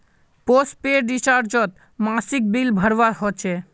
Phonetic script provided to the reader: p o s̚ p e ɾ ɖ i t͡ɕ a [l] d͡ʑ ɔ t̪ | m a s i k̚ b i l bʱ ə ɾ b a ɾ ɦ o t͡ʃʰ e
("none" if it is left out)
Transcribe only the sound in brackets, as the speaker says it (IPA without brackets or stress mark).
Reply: ɾ